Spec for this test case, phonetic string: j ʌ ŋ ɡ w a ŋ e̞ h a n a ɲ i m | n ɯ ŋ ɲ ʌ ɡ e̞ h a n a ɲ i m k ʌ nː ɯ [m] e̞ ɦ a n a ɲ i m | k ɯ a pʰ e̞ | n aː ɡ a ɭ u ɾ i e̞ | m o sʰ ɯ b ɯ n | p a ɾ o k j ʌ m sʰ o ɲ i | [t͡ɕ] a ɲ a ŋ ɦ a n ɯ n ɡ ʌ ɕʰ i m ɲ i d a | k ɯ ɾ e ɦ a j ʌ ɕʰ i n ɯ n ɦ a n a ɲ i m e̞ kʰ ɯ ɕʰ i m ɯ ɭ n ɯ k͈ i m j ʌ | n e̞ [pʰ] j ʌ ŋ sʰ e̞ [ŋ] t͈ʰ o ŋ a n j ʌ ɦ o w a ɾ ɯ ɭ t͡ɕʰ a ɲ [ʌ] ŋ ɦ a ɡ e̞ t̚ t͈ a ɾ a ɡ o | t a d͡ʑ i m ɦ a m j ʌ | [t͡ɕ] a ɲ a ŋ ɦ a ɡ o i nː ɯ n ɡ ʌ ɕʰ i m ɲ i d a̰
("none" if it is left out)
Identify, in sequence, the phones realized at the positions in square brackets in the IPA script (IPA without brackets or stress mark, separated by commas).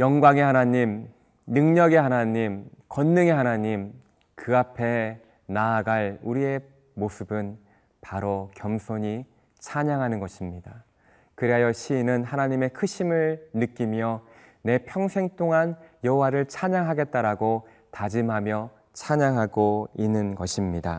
ŋ, t͡ɕʰ, pʰ, ŋ, a, t͡ɕʰ